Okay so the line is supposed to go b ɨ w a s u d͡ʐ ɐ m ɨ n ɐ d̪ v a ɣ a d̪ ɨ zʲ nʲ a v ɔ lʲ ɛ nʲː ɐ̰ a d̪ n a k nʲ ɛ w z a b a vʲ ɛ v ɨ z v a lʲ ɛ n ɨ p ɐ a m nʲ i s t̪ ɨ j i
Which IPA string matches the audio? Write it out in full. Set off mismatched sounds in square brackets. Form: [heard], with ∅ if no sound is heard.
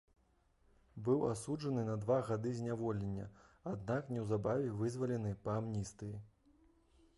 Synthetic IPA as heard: b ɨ w a s u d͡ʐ ɐ [n] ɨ n ɐ d̪ v a ɣ a d̪ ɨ zʲ nʲ a v ɔ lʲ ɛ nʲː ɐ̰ a d̪ n a k nʲ ɛ w z a b a vʲ ɛ v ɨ z v [ɐ] lʲ ɛ n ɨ p ɐ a m nʲ i s t̪ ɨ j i